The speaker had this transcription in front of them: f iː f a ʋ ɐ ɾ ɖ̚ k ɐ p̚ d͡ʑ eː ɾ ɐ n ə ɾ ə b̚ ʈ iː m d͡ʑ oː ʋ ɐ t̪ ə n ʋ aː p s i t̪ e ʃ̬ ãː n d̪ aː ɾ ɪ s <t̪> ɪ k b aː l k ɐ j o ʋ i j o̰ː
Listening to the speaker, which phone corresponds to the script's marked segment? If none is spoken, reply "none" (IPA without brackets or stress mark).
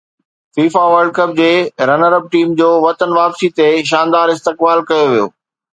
t̪